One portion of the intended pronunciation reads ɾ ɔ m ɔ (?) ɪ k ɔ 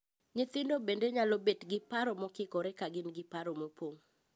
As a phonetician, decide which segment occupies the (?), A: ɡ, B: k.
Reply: B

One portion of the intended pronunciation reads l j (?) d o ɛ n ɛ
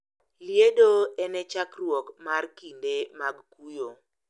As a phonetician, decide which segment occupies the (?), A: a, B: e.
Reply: B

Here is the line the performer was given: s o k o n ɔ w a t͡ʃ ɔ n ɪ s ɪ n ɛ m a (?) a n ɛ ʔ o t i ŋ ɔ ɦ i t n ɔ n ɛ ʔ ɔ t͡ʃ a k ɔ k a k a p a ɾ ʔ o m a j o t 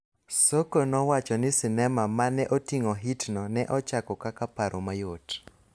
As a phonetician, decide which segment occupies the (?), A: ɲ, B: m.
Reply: B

